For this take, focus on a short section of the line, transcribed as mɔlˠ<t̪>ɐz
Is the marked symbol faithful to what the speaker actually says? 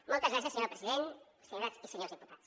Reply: yes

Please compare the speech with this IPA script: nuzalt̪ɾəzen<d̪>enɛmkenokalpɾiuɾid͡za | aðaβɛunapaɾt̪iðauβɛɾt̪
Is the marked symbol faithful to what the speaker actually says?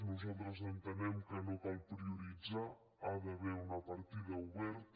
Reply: no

